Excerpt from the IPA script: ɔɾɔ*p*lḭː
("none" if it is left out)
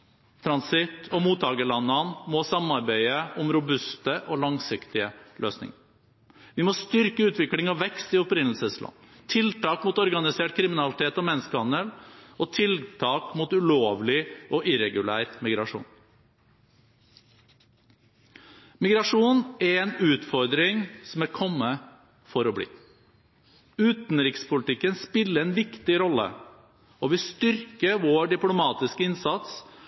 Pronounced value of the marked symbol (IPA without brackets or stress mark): b